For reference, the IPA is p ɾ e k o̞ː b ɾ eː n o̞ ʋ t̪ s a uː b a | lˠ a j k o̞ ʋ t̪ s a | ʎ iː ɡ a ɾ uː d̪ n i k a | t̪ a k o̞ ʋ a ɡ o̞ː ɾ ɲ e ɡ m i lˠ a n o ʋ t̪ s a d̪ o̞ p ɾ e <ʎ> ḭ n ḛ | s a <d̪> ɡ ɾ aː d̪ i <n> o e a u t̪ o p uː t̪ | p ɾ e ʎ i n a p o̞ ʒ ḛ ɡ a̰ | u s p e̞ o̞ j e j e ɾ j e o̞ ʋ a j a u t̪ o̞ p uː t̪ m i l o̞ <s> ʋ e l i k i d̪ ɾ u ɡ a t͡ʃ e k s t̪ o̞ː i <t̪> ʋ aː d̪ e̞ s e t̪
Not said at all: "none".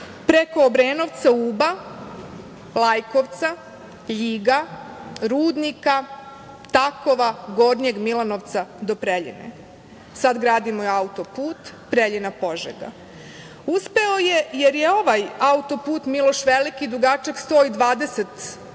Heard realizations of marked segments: ʎ, d̪, m, ʃ, d̪

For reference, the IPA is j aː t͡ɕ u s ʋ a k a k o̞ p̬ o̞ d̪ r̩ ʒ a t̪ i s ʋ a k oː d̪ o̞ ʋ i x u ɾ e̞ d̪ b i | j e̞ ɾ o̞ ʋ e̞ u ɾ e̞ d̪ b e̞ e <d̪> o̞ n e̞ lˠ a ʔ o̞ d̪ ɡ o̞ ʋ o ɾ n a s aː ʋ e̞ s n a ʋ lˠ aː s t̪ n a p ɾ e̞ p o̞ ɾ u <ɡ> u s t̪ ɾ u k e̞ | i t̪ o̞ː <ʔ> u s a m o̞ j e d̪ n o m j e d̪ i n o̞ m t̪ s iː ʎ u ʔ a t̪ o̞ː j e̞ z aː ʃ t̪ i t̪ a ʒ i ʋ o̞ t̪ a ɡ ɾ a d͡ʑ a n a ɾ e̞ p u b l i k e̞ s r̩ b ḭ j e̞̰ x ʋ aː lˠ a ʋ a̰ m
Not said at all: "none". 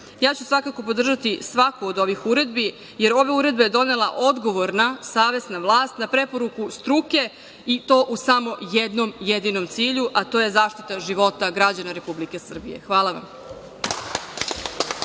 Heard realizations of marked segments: d̪, k, ʔ

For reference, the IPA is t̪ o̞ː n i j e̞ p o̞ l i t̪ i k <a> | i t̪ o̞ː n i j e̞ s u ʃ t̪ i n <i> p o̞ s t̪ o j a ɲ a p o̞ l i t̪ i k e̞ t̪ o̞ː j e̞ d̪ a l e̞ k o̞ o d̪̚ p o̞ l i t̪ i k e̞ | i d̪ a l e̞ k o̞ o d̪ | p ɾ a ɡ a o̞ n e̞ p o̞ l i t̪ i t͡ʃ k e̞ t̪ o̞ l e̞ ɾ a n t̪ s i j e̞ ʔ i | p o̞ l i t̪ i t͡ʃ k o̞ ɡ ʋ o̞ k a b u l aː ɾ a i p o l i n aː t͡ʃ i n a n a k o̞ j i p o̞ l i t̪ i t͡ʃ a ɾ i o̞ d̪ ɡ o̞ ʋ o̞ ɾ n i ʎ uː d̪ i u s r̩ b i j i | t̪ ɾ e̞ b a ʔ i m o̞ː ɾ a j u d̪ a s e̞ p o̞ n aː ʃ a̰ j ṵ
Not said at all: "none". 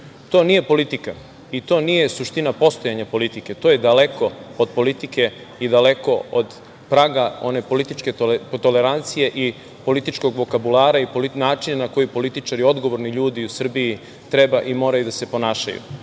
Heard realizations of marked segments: a, a

